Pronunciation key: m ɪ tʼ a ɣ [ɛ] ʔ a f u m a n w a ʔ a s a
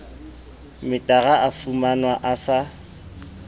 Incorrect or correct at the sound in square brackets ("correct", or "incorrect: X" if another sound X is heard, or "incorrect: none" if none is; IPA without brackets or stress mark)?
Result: incorrect: a